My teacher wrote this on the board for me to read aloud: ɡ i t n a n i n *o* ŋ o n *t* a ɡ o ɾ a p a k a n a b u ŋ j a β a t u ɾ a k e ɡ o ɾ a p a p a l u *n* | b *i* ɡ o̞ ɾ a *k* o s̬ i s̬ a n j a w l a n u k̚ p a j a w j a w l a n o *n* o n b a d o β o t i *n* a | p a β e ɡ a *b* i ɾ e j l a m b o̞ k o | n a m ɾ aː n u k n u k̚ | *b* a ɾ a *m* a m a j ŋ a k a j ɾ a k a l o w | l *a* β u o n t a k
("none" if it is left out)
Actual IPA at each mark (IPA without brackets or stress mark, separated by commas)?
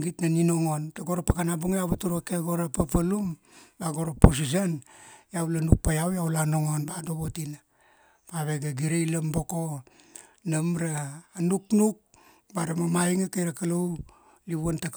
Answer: o, t, m, a, p, ŋ, n, ɡ, b, m, i